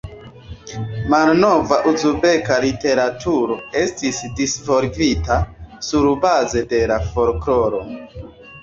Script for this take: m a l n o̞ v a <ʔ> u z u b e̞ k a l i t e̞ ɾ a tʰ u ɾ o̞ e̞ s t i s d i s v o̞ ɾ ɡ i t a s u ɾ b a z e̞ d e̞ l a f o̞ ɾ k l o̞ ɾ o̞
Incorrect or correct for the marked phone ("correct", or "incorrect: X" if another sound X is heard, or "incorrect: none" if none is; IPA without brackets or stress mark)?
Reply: correct